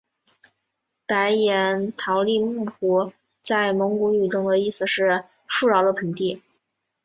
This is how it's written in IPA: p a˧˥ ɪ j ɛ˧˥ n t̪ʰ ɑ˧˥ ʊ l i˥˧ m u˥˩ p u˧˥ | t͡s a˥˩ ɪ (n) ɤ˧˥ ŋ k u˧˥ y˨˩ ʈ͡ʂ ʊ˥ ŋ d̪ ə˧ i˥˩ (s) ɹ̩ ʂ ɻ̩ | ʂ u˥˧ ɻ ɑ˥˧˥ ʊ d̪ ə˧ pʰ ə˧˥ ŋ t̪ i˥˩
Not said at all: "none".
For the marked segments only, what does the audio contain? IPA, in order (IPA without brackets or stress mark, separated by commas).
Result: m, s